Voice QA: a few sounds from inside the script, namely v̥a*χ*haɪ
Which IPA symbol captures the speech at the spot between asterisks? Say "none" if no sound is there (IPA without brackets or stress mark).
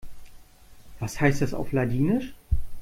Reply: s